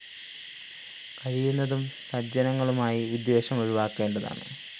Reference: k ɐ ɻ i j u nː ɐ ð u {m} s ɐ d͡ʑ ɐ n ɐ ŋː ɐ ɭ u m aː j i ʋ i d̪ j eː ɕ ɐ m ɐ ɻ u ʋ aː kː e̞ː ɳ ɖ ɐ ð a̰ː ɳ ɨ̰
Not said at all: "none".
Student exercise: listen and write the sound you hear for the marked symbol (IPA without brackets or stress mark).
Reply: m